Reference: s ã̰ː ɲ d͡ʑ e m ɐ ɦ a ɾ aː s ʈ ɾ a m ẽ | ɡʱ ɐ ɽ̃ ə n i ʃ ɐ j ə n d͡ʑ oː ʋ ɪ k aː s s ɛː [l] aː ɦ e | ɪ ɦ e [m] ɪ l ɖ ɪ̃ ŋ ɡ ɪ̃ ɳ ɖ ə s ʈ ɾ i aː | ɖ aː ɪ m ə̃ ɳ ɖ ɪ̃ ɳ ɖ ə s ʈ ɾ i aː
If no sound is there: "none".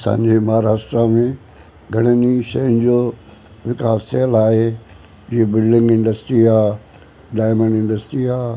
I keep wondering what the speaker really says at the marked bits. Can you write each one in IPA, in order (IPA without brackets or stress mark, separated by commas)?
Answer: l, b